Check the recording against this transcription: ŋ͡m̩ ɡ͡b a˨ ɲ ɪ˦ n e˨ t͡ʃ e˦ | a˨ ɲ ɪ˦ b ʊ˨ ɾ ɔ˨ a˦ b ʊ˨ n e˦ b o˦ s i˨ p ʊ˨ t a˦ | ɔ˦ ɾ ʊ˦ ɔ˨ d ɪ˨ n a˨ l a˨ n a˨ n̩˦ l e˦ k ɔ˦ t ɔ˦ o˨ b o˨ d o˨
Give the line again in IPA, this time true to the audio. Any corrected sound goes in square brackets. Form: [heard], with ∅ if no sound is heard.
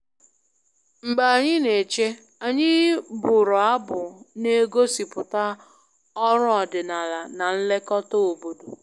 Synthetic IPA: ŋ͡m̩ ɡ͡b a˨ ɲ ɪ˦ n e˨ t͡ʃ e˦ | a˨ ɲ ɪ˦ b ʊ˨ ɾ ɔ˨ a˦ b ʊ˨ n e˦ [ɡ] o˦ s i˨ p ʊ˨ t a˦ | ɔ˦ ɾ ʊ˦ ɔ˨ d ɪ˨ n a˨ l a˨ n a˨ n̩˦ l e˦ k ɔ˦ t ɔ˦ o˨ b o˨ d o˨

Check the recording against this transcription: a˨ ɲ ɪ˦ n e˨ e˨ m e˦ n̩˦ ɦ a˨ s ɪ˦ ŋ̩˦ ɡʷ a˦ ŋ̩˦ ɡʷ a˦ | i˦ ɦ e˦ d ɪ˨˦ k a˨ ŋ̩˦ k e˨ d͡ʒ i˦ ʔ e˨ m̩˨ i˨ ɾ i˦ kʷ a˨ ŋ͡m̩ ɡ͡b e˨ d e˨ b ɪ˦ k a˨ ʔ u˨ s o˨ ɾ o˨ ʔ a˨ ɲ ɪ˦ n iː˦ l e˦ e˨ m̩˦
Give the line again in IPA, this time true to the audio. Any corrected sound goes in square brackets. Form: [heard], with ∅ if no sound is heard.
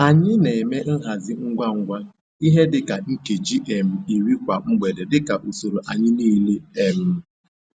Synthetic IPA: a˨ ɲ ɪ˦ n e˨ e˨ m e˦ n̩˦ ɦ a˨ [z] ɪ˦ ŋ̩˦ ɡʷ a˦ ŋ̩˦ ɡʷ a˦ | i˦ ɦ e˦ d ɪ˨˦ k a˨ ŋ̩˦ k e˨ d͡ʒ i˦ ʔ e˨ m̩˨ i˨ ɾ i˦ kʷ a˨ ŋ͡m̩ ɡ͡b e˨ d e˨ [d] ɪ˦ k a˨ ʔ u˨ s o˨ ɾ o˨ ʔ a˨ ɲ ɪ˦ n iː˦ l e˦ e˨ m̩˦

